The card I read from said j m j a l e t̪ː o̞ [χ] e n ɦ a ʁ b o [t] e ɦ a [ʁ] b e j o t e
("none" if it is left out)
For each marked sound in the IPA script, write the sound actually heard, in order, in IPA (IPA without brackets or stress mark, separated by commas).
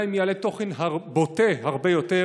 χ, t, ʁ